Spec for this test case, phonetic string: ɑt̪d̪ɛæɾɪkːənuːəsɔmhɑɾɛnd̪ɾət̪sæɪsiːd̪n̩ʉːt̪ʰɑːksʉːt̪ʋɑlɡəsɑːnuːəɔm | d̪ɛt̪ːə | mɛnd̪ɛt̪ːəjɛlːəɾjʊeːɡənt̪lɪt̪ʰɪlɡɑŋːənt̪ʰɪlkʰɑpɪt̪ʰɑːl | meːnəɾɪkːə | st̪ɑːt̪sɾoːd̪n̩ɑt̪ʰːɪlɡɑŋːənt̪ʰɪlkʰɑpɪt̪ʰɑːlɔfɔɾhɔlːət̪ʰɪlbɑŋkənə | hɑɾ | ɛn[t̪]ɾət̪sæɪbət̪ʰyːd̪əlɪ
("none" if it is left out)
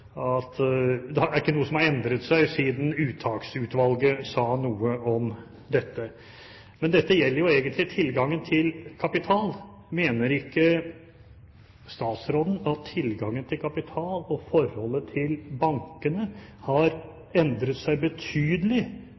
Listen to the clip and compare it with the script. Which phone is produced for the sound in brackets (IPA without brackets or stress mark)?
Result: d̪